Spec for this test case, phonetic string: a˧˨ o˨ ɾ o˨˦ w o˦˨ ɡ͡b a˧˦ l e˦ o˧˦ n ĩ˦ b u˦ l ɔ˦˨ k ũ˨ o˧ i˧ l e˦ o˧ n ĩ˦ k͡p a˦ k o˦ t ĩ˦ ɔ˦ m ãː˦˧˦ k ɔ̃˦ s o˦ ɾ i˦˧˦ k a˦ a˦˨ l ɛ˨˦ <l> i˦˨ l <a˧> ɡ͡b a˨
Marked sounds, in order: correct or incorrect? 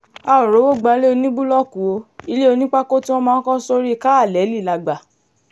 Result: correct, correct

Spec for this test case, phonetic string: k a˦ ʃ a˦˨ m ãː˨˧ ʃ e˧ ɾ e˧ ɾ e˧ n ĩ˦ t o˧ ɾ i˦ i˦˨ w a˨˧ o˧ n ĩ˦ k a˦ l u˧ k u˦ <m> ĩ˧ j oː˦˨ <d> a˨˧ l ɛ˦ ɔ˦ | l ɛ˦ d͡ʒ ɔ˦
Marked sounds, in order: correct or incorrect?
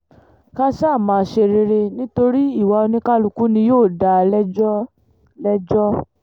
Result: incorrect: n, correct

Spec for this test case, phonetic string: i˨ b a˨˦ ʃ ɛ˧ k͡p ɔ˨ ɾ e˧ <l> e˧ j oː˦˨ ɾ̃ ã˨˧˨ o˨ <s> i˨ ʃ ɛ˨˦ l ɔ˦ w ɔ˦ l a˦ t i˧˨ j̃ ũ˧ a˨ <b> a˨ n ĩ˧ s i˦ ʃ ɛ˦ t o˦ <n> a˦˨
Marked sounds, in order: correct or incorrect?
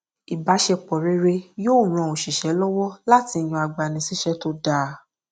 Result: incorrect: ɾ, incorrect: ʃ, incorrect: ɡ͡b, incorrect: d

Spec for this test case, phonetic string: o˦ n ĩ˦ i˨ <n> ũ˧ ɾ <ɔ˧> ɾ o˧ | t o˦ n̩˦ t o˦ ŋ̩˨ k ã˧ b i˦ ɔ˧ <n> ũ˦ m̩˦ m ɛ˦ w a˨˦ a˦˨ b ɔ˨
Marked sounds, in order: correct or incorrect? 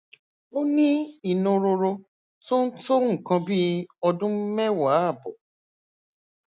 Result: correct, incorrect: o˧, incorrect: d

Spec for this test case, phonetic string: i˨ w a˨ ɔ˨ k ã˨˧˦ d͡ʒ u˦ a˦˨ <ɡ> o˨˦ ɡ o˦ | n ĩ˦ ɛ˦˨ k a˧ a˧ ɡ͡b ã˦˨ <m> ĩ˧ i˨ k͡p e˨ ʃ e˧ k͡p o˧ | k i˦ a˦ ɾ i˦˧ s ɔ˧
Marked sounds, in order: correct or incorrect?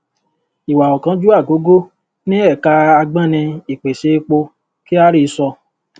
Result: correct, incorrect: n

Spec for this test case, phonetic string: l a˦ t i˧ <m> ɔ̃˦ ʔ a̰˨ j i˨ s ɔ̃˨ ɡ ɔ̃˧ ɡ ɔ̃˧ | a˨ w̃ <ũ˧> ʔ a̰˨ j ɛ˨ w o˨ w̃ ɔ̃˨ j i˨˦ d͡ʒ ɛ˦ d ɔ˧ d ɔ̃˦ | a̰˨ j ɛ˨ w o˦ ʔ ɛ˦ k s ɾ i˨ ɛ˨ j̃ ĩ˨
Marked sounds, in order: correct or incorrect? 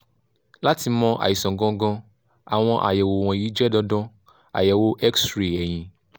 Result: correct, incorrect: ɔ̃˧

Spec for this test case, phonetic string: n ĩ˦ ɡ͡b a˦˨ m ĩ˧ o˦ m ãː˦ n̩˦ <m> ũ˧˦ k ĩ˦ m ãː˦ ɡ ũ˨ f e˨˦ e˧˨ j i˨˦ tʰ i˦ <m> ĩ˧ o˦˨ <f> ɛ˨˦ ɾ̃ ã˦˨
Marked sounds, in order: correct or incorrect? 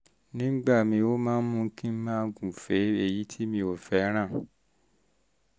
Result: correct, correct, correct

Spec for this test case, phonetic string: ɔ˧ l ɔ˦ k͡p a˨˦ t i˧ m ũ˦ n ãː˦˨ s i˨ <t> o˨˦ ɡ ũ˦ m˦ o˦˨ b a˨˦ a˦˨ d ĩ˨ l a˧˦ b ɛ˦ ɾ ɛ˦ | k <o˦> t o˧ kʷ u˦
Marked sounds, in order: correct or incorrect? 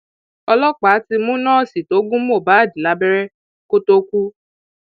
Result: correct, correct

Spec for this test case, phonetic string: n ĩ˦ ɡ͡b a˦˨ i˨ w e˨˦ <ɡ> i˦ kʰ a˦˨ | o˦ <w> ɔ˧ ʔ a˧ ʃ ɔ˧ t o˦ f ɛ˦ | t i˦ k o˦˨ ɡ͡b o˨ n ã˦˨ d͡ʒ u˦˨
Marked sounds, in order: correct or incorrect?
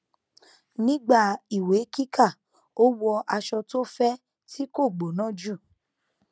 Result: incorrect: k, correct

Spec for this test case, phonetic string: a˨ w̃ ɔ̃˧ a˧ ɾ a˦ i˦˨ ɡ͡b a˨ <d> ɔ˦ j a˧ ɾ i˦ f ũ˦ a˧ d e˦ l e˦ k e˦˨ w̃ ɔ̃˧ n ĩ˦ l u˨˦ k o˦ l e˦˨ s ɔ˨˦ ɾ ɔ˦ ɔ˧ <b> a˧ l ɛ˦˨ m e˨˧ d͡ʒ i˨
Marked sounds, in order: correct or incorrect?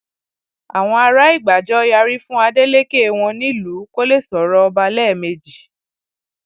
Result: incorrect: d͡ʒ, correct

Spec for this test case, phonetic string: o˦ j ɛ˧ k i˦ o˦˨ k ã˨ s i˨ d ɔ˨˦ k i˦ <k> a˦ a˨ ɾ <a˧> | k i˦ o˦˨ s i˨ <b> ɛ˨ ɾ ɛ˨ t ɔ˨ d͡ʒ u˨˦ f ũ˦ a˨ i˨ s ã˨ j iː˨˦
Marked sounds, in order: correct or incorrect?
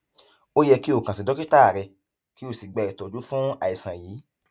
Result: incorrect: t, incorrect: ɛ˧, incorrect: ɡ͡b

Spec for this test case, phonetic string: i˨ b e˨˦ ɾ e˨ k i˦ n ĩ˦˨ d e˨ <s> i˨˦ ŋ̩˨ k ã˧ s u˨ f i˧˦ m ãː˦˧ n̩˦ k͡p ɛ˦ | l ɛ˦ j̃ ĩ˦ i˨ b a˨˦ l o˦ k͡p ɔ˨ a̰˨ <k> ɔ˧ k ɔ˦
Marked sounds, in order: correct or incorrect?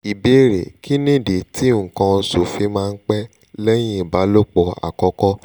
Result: incorrect: t, correct

